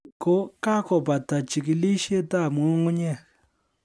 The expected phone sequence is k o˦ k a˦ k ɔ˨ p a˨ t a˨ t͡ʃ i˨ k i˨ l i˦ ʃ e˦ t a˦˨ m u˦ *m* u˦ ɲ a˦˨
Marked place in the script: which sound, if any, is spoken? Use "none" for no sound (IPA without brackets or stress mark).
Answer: ŋ